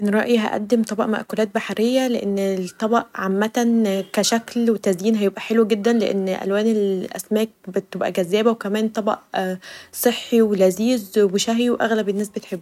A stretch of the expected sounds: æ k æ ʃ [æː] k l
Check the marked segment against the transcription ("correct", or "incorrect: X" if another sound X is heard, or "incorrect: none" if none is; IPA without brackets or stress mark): incorrect: æ